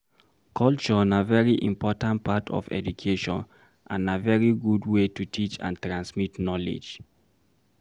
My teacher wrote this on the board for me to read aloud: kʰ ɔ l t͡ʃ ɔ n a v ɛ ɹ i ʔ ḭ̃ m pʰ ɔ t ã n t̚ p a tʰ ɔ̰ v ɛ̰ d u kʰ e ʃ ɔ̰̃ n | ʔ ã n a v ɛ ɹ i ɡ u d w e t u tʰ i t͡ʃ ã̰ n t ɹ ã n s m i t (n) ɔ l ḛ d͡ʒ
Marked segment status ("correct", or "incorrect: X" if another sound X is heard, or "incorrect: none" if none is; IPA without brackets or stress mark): correct